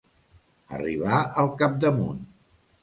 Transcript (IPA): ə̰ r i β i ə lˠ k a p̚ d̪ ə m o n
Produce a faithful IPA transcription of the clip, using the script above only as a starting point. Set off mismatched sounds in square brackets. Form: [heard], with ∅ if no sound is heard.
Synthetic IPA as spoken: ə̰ r i β [a] ə lˠ k a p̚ d̪ ə m [u] n